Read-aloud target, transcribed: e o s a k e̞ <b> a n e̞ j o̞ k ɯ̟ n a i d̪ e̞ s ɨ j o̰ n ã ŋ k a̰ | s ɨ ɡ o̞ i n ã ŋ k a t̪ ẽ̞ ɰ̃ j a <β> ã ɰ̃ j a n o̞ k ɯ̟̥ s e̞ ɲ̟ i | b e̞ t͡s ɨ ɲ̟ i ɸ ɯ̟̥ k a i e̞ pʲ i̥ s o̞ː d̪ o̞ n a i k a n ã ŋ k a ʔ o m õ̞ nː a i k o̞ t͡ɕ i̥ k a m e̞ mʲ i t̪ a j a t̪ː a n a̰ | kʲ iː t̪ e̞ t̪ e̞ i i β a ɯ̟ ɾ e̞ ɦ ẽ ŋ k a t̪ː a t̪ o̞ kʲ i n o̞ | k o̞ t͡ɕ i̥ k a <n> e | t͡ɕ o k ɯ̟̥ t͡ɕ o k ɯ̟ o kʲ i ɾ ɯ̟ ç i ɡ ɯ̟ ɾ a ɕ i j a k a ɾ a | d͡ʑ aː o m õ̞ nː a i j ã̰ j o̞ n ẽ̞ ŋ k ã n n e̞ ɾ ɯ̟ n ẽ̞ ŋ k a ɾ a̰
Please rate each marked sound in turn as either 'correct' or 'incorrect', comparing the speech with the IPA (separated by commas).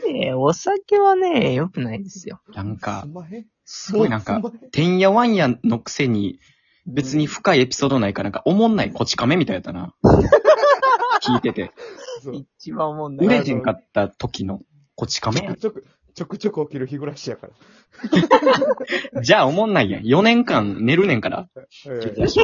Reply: incorrect, correct, incorrect